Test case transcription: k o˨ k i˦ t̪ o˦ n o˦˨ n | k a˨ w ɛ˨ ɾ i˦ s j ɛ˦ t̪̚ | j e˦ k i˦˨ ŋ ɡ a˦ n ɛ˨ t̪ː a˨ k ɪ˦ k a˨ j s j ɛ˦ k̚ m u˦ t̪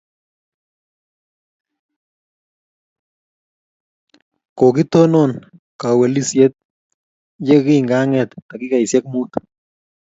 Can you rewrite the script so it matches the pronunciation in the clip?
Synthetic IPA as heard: k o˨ k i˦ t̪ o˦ n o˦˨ n | k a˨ w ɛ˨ l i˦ s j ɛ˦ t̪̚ | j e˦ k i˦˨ ŋ ɡ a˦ ŋ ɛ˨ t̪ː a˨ k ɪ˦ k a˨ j s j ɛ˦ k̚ m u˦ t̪